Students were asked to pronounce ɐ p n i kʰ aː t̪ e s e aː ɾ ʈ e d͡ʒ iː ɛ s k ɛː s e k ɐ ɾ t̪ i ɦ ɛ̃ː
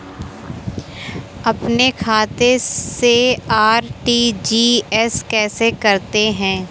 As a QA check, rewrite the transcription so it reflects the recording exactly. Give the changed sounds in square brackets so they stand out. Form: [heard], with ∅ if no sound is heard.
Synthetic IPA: ɐ p n [e] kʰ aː t̪ e s e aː ɾ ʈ [i] d͡ʒ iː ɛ s k ɛː s e k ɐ ɾ t̪ [e] ɦ ɛ̃ː